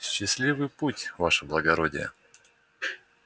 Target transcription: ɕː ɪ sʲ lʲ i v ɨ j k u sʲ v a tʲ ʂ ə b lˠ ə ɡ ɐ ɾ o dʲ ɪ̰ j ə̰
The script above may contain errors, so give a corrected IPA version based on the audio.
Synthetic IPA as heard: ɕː ɪ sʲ lʲ i v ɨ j p u tʲ v a ʂ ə b lˠ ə ɡ ɐ ɾ o dʲ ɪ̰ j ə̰